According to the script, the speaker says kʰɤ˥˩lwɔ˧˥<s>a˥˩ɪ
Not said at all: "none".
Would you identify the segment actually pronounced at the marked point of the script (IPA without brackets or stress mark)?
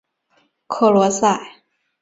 s